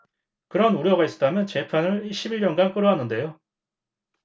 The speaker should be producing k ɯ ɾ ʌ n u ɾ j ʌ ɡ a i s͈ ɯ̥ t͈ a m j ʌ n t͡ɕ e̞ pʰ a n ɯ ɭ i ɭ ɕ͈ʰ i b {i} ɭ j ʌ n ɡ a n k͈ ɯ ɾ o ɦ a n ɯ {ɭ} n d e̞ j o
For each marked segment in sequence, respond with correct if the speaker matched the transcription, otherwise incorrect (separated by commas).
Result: correct, incorrect